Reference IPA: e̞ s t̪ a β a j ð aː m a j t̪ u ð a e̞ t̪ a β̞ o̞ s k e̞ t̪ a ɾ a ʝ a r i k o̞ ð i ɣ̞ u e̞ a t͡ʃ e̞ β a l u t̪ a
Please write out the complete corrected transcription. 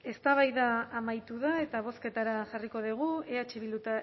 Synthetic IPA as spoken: e̞ s t̪ a β a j ð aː m a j t̪ u ð a e̞ t̪ a β̞ o̞ s k e̞ t̪ a ɾ a ʝ a r i k o̞ ð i ɣ̞ u e̞ a t͡ʃ e̞ β i l u t̪ a

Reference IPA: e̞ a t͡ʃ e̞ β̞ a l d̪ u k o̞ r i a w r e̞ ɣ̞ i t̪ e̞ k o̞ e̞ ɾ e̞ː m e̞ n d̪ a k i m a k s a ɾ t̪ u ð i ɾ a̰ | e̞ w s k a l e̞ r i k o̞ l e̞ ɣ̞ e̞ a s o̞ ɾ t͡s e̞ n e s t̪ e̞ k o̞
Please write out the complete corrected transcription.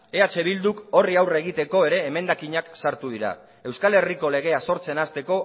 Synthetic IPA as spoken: e̞ a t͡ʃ e̞ β̞ i l d̪ u k o̞ r i a w r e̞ ɣ̞ i t̪ e̞ k o̞ e̞ ɾ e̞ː m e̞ n d̪ a k i ɲ a k s a ɾ t̪ u ð i ɾ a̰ | e̞ w s k a l e̞ r i k o̞ l e̞ ɣ̞ e̞ a s o̞ ɾ t͡s e̞ n a s t̪ e̞ k o̞

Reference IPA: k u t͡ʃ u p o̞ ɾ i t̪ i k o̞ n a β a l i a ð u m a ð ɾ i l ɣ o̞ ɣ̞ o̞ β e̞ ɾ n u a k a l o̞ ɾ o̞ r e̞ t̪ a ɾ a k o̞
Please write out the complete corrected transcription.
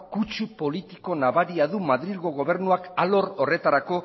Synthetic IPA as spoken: k u t͡ʃ u p o̞ l i t̪ i k o̞ n a β a ɾ i a ð u m a ð ɾ i l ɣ o̞ ɣ̞ o̞ β e̞ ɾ n u a k a l o̞ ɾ o̞ r e̞ t̪ a ɾ a k o̞

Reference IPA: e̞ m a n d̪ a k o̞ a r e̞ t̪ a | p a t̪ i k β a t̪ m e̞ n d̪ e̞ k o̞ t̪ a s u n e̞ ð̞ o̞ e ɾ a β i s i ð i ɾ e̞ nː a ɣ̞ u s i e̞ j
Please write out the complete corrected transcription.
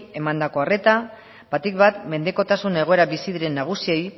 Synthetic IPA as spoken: e̞ m a n d̪ a k o̞ a r e̞ t̪ a | b a t̪ i k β a t̪ m e̞ n d̪ e̞ k o̞ t̪ a s u n e̞ ɣ̞ o̞ e ɾ a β i s i ð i ɾ e̞ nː a ɣ̞ u s i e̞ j

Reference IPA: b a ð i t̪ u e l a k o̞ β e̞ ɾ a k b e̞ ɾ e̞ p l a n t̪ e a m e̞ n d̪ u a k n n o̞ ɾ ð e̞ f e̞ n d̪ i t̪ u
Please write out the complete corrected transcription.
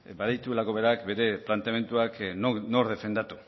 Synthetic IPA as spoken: b a ð i t̪ u e l a k o̞ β e̞ ɾ a k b e̞ ɾ e̞ p l a n t̪ e a m e̞ n t̪ u a k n n o̞ ɾ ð e̞ f e̞ n d̪ a t̪ u

